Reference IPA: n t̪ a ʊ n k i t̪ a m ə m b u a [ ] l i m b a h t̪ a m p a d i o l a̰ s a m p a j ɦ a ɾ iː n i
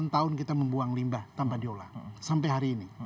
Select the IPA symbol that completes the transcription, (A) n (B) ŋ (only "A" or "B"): B